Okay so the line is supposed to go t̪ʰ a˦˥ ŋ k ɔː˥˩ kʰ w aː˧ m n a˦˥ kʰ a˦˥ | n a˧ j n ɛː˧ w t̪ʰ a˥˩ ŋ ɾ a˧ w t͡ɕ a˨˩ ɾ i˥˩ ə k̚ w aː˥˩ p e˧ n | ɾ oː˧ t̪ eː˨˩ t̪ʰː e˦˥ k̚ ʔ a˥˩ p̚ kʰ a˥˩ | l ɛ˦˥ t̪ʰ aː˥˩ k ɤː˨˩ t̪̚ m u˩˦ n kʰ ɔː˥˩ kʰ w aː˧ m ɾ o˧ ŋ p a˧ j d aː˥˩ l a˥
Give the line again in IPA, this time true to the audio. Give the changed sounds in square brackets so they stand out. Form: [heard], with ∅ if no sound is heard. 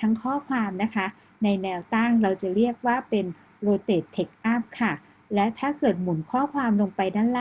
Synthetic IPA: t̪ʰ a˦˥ ŋ [kʰ] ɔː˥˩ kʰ w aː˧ m n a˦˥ kʰ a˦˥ | n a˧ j n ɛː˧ w [t̪] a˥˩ ŋ ɾ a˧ w t͡ɕ a˨˩ ɾ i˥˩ ə k̚ w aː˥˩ p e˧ n | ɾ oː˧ t̪ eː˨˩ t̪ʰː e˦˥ k̚ ʔ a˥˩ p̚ kʰ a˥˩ | l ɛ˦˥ t̪ʰ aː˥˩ k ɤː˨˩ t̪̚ m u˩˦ n kʰ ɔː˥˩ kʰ w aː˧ m [l] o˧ ŋ p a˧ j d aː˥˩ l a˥